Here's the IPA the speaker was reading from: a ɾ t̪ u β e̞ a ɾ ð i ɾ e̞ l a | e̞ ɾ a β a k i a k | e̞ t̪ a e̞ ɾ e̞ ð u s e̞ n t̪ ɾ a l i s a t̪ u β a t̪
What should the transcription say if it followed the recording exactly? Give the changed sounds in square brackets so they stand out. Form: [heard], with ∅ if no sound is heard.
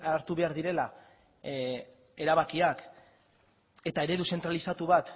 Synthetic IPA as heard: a ɾ t̪ u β e̞ a ɾ ð i ɾ e̞ l a | e̞ ɾ a β a k i a k | e̞ t̪ a e̞ ɾ e̞ ð u s e̞ n t̪ ɾ a l i s a t̪ u β a t̪

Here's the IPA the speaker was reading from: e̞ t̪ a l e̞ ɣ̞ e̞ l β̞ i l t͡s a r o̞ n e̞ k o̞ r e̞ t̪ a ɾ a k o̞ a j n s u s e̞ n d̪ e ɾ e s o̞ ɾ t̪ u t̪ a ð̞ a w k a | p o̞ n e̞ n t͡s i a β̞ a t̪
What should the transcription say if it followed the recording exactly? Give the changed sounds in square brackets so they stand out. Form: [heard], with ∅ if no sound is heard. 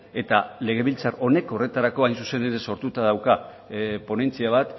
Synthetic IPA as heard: e̞ t̪ a l e̞ ɣ̞ e̞ [∅] β̞ i l t͡s a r o̞ n e̞ k o̞ r e̞ t̪ a ɾ a k o̞ a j n s u s e̞ n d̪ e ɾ e s o̞ ɾ t̪ u t̪ a ð̞ a w k a | p o̞ n e̞ n t͡s i a β̞ a t̪

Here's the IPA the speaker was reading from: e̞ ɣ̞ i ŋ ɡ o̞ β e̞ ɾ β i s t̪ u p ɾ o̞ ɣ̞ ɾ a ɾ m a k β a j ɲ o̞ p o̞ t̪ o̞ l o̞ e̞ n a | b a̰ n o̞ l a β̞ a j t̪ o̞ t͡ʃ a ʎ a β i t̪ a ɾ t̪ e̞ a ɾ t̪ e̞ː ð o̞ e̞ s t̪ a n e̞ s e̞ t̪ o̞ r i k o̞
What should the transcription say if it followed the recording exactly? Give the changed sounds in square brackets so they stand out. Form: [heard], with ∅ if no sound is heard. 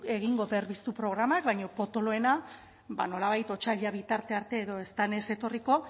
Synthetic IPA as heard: e̞ ɣ̞ i ŋ ɡ o̞ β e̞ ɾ β i s t̪ u p ɾ o̞ ɣ̞ ɾ a [∅] m a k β a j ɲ o̞ p o̞ t̪ o̞ l o̞ e̞ n a | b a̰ n o̞ l a β̞ a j t̪ o̞ t͡ʃ a ʎ a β i t̪ a ɾ t̪ e̞ a ɾ t̪ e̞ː ð o̞ e̞ s t̪ a n e̞ s e̞ t̪ o̞ r i k o̞

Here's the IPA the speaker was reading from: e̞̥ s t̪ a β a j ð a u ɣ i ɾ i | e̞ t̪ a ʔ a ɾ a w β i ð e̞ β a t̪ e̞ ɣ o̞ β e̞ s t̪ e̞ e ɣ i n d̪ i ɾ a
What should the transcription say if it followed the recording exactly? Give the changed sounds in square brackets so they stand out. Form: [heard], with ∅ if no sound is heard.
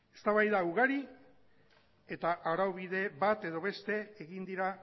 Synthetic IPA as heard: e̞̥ s t̪ a β a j ð a u ɣ [a] ɾ i | e̞ t̪ a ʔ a ɾ a w β i ð e̞ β a t̪ e̞ [ð] o̞ β e̞ s t̪ e̞ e ɣ i n d̪ i ɾ a

